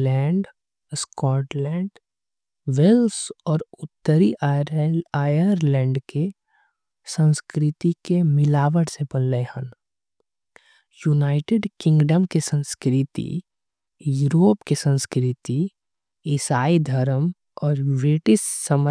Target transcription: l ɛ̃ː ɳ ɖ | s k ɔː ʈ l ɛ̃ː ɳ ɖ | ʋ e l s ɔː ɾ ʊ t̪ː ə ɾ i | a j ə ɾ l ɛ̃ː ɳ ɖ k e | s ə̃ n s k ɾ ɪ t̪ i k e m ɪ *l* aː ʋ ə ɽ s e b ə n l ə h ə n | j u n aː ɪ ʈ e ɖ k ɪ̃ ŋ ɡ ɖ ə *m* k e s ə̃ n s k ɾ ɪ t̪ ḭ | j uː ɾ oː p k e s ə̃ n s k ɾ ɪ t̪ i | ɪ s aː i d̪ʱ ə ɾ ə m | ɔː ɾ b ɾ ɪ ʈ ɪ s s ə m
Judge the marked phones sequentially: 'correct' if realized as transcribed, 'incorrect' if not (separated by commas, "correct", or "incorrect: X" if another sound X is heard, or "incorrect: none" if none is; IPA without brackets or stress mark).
correct, correct